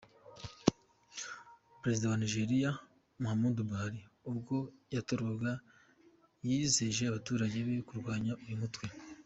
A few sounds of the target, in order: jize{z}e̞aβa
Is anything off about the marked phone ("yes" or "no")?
yes